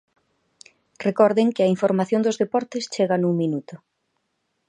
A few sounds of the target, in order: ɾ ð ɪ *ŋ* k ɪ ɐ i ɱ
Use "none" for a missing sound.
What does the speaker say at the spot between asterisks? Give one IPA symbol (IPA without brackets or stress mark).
ŋ